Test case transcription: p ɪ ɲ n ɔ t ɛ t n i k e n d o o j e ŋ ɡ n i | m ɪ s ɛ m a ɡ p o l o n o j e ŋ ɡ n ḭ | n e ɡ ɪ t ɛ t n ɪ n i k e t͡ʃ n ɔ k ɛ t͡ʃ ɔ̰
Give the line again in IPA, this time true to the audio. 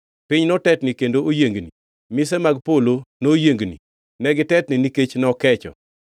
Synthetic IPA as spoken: p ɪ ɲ n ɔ t ɛ t n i k e n d o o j e ŋ ɡ n i | m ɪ s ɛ m a ɡ p o l o n o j e ŋ ɡ n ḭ | n ɛ ɡ ɪ t ɛ t n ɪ n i k e t͡ʃ n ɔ k ɛ t͡ʃ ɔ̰